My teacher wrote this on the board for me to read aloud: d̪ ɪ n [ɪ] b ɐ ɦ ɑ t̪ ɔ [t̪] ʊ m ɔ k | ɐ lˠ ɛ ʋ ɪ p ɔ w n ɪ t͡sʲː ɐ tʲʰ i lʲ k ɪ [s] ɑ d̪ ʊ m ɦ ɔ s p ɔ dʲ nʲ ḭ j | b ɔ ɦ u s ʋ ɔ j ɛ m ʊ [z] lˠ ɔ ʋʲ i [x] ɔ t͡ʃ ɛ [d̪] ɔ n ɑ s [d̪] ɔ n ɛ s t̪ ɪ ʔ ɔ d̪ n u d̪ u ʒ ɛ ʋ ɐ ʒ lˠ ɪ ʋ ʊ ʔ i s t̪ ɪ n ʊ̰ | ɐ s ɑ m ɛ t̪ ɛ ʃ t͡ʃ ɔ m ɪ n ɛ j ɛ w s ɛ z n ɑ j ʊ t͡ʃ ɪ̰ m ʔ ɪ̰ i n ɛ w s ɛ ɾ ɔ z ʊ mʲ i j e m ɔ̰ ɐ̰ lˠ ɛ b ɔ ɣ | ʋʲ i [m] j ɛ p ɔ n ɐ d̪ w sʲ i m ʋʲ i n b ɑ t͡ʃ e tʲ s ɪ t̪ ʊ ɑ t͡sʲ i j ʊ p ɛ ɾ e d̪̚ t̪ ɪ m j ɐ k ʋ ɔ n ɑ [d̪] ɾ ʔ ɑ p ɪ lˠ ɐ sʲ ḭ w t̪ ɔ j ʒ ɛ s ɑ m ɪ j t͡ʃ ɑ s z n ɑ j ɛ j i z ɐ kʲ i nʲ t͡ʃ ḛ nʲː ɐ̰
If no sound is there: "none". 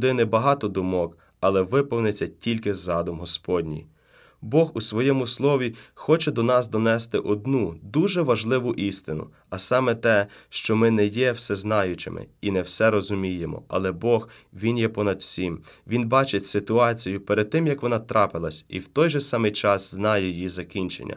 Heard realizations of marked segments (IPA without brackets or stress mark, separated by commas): ɪ, d̪, z, s, x, d̪, d̪, n, t̪